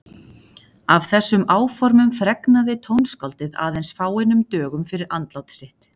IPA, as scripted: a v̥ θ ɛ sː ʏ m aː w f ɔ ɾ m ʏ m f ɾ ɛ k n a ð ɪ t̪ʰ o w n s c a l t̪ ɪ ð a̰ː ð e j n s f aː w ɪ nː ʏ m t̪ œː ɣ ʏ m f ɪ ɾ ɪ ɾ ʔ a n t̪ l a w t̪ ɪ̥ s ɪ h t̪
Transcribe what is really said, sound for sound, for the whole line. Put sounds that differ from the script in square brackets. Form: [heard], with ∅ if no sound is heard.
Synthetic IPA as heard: a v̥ θ ɛ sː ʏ m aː w f ɔ ɾ m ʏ m f ɾ ɛ k n a ð ɪ t̪ʰ o w n s [k] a l t̪ ɪ ð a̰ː ð e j n s f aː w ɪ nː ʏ m t̪ œː ɣ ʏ m f ɪ ɾ ɪ ɾ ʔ a n t̪ l a w t̪ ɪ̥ s ɪ h t̪